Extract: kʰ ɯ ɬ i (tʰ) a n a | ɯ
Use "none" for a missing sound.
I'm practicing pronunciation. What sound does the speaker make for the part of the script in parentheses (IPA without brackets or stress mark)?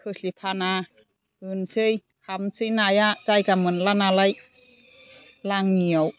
pʰ